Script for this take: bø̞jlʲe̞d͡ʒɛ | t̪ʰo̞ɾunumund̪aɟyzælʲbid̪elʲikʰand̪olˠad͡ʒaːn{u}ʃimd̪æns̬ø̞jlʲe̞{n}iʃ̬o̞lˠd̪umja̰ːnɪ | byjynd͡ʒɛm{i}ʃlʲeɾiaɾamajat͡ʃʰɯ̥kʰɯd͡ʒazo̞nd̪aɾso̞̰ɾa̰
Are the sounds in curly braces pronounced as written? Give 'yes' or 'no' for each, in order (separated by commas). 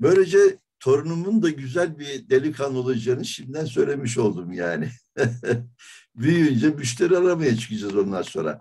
no, no, no